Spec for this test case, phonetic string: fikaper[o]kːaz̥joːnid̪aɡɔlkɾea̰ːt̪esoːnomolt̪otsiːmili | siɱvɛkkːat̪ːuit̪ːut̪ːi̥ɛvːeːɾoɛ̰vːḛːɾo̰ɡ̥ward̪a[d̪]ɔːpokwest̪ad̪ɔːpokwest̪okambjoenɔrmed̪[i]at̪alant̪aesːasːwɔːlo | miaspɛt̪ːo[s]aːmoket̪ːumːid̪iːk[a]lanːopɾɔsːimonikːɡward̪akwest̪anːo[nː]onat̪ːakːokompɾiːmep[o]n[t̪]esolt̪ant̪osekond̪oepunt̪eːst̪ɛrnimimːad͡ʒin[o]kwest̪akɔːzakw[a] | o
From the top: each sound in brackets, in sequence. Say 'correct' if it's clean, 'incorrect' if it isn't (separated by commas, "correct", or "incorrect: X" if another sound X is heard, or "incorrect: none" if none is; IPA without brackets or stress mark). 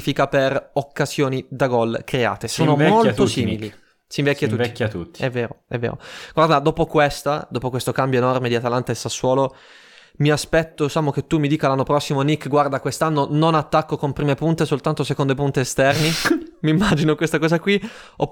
correct, correct, correct, correct, correct, incorrect: n, incorrect: u, correct, correct, incorrect: i